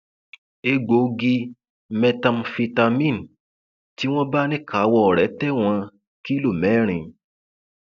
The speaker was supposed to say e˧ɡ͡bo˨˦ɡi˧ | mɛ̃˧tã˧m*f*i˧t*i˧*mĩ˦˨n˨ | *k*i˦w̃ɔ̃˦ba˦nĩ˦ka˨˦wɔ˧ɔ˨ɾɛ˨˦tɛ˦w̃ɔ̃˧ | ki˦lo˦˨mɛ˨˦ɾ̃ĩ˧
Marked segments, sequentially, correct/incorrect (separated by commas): correct, incorrect, incorrect